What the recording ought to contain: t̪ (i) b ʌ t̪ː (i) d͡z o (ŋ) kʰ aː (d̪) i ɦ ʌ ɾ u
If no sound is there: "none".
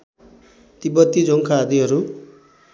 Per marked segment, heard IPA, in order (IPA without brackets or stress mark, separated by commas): i, i, ŋ, d̪